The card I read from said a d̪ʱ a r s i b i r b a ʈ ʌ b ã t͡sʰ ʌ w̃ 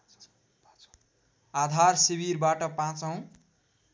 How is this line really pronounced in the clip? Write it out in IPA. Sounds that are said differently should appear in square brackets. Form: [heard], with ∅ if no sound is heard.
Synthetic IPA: a d̪ʱ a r s i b i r b a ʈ ʌ [p] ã [t͡s] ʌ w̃